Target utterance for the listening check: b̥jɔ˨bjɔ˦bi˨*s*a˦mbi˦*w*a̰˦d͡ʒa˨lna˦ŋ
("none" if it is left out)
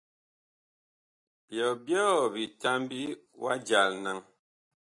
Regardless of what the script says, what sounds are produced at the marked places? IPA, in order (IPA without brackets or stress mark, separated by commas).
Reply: t, w